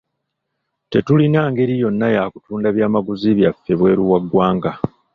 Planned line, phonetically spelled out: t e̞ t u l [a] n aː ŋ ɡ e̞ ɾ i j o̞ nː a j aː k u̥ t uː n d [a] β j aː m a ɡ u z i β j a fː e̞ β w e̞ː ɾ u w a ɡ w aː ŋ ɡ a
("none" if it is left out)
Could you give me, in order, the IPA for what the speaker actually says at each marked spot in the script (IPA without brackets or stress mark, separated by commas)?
i, a